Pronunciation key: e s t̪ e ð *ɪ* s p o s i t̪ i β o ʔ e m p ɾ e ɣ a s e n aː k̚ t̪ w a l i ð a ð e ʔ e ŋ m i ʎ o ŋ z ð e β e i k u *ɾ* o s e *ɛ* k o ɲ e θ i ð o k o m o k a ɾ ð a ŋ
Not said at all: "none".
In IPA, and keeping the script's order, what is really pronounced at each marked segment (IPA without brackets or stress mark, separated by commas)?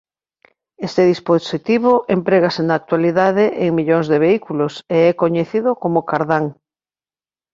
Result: i, l, ɛ